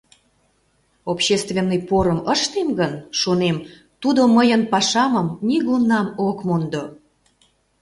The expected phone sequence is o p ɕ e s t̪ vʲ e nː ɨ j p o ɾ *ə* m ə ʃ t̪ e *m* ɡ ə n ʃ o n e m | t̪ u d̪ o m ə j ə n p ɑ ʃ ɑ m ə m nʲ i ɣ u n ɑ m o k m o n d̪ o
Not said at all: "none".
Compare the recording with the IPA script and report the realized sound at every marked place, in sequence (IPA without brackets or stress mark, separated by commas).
ə, m